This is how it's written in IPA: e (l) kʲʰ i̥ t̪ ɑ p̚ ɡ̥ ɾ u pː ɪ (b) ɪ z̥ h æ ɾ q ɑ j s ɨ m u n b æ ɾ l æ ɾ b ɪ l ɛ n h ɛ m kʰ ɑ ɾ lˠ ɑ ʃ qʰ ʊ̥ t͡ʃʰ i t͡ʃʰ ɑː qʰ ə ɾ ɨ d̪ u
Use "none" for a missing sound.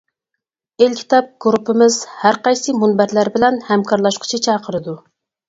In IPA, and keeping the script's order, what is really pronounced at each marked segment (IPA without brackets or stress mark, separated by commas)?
l, m